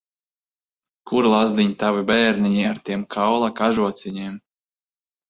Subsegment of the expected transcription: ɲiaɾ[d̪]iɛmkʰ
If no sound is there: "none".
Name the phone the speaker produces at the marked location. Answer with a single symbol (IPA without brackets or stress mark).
t̪